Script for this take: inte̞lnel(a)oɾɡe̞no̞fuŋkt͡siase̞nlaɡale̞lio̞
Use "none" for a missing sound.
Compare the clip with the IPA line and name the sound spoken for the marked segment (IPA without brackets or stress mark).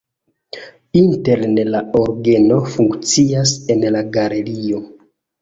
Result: a